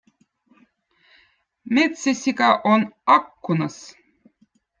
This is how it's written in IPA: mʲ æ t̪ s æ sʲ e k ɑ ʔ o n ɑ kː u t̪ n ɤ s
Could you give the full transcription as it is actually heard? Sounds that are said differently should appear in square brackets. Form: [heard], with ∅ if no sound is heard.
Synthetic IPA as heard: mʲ [e] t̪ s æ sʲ [i] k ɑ ʔ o n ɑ kː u [∅] n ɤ s